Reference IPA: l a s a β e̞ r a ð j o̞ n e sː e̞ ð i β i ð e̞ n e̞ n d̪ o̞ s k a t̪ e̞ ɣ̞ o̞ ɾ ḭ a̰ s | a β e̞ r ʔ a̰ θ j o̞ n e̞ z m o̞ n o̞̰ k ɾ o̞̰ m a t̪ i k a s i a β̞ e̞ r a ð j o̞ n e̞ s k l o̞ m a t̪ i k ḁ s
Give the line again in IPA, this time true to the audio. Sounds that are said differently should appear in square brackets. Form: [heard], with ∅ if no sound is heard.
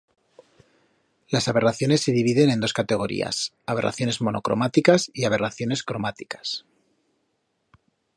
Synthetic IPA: l a s a β e̞ r a [θ] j o̞ n e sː e̞ ð i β i ð e̞ n e̞ n d̪ o̞ s k a t̪ e̞ ɣ̞ o̞ ɾ ḭ a̰ s | a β e̞ r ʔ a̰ θ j o̞ n e̞ z m o̞ n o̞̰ k ɾ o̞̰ m a t̪ i k a s i a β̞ e̞ r a [θ] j o̞ n e̞ s k [ɾ] o̞ m a t̪ i k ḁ s